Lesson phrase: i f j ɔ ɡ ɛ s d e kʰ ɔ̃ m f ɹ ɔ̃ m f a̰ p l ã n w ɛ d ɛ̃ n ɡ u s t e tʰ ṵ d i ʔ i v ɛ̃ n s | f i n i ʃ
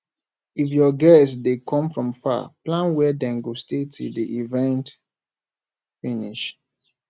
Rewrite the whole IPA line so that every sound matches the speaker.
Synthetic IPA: i f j ɔ ɡ ɛ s d e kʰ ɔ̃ m f ɹ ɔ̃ m f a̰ p l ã n w ɛ d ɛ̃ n ɡ o s t e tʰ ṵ d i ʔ i v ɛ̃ n t | f i n i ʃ